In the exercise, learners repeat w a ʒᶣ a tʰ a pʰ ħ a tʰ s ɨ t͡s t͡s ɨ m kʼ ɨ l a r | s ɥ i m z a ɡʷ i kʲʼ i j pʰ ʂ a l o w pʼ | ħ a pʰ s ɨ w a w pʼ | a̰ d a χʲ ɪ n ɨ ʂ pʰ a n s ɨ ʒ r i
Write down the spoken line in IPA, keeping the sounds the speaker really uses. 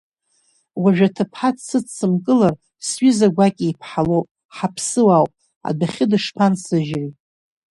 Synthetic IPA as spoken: w a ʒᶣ a tʰ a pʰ ħ a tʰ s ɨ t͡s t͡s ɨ m kʼ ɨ l a r | s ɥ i z a ɡʷ a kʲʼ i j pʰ ħ a l o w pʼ | ħ a pʰ s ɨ w a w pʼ | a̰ d a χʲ ɪ d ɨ ʂ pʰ a n s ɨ ʒ r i